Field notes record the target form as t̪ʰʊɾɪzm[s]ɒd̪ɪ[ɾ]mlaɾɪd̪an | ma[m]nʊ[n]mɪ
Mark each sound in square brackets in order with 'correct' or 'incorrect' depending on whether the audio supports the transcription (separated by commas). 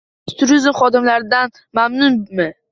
incorrect, incorrect, correct, correct